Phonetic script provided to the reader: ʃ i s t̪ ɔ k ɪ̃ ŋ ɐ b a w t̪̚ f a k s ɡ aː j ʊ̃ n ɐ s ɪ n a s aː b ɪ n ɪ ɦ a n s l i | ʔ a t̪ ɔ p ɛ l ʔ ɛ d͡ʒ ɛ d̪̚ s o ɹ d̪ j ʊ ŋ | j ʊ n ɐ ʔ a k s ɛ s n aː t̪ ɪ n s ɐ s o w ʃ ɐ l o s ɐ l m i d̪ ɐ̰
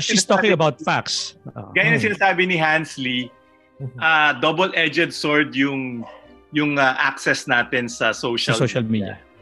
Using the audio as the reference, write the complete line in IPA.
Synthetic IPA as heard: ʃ i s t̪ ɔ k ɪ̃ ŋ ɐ b a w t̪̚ f a k s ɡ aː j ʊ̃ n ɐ s ɪ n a s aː b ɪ n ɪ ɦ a n s l i | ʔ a d̪ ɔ b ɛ l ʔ ɛ d͡ʒ ɛ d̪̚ s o ɹ d̪ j ʊ ŋ | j ʊ ŋ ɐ ʔ a k s ɛ s n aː t̪ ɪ n s ɐ s o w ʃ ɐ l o ʃ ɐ l m i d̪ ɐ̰